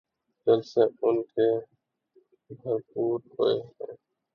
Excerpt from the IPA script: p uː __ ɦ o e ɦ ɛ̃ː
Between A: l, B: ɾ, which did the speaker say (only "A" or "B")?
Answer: B